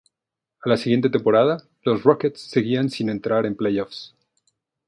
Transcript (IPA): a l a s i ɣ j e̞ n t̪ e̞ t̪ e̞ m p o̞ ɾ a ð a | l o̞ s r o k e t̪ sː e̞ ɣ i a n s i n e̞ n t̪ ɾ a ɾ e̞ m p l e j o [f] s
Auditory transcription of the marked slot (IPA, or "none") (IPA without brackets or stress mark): f